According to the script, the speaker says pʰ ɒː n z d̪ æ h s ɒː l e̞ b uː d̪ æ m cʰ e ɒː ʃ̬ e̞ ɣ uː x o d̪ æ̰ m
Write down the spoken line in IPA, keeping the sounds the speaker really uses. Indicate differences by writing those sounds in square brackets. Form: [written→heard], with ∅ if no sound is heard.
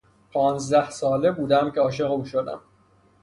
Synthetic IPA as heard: pʰ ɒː n z d̪ æ h s ɒː l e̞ b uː d̪ æ m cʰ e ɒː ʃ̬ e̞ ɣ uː [x→ʃ] o d̪ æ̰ m